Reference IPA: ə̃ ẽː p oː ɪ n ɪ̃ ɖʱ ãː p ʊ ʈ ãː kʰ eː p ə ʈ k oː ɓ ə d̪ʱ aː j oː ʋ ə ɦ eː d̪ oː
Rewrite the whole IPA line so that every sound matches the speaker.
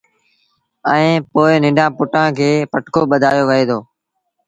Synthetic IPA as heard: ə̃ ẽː p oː ɪ n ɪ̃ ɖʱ ãː p ʊ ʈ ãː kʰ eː p ə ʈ k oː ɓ ə d̪ʱ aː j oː ʋ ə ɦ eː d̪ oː